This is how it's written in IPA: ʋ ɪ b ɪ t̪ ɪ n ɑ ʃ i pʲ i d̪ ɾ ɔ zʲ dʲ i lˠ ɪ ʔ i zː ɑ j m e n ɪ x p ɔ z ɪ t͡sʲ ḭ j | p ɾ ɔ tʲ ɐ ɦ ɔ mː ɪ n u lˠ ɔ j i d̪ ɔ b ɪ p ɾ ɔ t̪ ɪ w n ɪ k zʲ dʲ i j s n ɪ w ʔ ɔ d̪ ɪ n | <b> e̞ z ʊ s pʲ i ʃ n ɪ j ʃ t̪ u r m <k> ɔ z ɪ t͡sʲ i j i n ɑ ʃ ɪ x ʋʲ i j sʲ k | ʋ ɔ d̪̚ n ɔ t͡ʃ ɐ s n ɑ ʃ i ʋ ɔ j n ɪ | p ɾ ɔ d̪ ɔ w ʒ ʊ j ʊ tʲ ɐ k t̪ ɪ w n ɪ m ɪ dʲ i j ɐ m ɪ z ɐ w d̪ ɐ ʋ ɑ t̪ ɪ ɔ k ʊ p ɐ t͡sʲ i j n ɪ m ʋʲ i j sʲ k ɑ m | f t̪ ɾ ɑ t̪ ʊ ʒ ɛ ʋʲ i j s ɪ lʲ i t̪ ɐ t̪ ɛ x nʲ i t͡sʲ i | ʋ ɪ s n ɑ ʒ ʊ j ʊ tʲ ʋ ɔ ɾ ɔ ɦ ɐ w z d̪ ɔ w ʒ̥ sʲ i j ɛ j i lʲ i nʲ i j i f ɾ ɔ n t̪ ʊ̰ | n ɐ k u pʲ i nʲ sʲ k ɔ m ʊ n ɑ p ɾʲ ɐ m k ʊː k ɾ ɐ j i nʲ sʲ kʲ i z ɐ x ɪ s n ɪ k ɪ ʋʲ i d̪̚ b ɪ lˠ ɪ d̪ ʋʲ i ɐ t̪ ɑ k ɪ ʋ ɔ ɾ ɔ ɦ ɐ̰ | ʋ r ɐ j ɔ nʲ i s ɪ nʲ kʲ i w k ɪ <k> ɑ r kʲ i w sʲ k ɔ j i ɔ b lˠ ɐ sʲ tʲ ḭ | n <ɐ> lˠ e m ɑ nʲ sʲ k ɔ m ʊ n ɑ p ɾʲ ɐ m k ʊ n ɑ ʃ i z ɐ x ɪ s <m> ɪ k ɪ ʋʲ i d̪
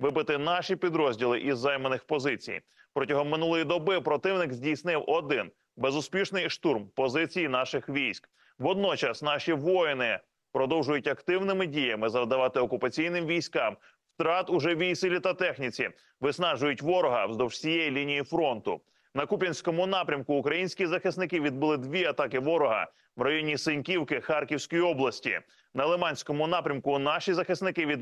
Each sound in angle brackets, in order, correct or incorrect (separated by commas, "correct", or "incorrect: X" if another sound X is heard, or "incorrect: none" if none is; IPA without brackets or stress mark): correct, incorrect: p, incorrect: x, correct, incorrect: n